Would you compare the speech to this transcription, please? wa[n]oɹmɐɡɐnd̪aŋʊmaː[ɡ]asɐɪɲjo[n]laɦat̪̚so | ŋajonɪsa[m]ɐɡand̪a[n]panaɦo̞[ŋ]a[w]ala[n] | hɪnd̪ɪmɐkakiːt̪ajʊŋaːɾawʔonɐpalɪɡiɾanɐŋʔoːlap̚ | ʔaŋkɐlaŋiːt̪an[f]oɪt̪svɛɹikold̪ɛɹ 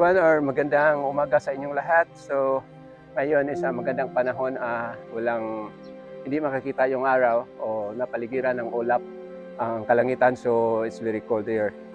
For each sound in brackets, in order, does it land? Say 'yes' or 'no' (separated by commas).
yes, yes, no, yes, no, no, yes, no, no